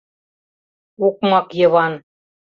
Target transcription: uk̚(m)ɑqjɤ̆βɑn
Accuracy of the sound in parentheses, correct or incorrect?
correct